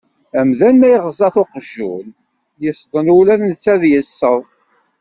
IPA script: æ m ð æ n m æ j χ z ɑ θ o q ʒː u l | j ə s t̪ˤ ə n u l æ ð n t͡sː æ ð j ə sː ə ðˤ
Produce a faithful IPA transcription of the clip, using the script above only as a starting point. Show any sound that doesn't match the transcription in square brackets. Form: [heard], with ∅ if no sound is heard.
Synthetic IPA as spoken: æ m ð æ n m æ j [ʁ] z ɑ θ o q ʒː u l | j ə s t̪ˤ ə n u l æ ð n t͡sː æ ð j ə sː ə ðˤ